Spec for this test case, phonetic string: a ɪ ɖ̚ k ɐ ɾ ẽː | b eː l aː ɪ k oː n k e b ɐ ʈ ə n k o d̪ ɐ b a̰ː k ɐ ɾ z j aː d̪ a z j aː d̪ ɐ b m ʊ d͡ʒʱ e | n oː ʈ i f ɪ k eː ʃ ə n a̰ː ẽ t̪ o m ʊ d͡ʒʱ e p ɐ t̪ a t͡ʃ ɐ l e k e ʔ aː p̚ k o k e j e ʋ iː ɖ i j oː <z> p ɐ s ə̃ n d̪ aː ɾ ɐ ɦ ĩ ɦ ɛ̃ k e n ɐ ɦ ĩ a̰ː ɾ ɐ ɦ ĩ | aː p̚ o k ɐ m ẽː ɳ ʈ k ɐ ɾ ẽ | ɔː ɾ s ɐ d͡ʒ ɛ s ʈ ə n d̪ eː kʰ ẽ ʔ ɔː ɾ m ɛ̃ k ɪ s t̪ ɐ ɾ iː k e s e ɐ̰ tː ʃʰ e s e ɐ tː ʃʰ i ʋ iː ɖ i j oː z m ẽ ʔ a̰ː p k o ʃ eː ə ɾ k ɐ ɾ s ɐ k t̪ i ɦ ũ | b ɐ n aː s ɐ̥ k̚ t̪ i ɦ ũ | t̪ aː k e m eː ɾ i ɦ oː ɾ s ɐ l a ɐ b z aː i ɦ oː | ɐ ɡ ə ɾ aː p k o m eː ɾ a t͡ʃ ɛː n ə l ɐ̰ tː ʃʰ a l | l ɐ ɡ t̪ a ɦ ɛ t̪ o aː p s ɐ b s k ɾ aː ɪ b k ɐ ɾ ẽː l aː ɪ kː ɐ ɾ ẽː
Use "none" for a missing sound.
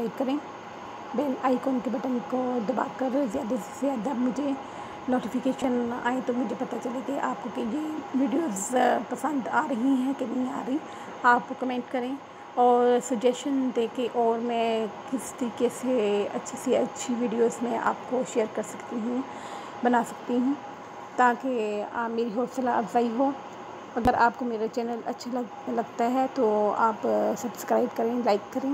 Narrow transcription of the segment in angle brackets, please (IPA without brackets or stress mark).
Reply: z